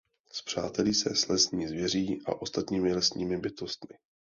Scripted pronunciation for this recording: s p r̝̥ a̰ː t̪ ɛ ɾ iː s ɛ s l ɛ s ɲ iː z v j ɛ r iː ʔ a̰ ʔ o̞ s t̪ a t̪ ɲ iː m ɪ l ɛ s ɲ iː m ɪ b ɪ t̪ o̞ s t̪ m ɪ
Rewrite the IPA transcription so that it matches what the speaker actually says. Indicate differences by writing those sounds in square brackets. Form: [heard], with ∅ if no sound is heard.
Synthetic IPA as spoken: s p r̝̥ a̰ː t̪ ɛ [l] iː s ɛ s l ɛ s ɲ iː z v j ɛ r iː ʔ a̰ ʔ o̞ s t̪ a t̪ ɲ iː m ɪ l ɛ s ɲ iː m ɪ b ɪ t̪ o̞ s t̪ m ɪ